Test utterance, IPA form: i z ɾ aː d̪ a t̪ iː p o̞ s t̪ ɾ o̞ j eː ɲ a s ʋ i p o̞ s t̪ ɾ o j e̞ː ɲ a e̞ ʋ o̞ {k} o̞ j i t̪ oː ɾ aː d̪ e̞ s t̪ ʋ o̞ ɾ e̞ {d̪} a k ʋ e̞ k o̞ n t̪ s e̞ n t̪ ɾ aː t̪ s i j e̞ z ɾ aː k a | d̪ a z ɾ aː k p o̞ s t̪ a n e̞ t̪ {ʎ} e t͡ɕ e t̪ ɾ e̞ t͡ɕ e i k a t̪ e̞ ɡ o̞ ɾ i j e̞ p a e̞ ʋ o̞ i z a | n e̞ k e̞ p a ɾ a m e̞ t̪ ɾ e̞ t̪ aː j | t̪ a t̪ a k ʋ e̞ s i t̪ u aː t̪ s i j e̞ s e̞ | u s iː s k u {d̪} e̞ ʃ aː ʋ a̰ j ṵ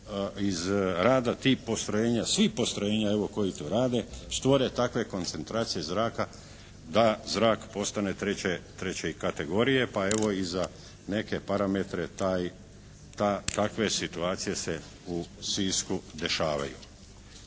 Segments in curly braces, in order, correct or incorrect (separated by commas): correct, incorrect, incorrect, correct